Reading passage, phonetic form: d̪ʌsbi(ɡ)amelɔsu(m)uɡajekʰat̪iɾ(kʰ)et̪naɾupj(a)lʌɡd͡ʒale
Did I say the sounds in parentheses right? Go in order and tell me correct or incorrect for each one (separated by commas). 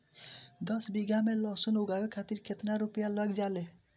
correct, incorrect, correct, correct